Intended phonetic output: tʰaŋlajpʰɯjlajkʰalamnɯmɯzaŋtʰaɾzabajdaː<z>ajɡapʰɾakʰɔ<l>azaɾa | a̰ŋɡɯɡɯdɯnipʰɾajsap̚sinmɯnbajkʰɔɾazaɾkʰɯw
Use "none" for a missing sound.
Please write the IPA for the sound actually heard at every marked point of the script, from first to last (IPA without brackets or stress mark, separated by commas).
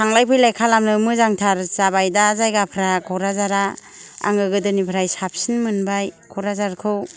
z, ɾ